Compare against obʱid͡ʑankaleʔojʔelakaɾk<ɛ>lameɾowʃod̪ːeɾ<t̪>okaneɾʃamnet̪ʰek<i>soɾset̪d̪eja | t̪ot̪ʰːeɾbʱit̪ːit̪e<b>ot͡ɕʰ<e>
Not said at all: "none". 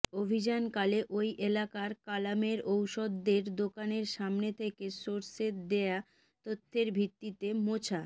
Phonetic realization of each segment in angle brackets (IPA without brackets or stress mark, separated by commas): a, d̪, e, m, a